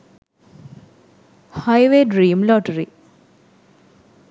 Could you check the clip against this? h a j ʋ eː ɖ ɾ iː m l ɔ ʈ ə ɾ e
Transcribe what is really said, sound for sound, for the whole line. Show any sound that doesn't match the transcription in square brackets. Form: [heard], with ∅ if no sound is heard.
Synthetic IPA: h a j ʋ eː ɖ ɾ iː m l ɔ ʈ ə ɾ [i]